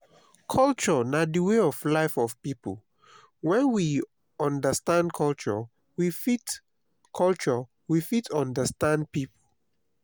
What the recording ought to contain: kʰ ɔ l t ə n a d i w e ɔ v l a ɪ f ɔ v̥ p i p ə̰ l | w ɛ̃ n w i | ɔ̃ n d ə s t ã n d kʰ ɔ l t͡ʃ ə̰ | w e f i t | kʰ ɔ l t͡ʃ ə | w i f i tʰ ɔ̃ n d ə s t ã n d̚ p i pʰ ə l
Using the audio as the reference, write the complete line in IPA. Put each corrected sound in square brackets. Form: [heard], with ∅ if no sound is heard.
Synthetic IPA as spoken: kʰ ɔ l [t͡ʃ] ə n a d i w e ɔ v l a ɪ f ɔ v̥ p i p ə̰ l | w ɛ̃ n w i | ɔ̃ n d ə s t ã n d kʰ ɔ l t͡ʃ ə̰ | w [i] f i t | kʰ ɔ l t͡ʃ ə | w i f i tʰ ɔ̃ n d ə s t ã n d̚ p i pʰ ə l